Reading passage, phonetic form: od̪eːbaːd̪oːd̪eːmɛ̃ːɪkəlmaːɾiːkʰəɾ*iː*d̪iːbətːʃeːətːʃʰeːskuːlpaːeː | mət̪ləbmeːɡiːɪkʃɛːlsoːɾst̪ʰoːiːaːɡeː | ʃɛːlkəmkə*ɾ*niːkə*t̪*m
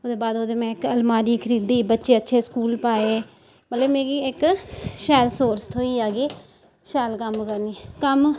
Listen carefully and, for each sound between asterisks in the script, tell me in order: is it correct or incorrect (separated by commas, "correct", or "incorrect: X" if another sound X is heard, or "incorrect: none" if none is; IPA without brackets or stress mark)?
correct, correct, incorrect: none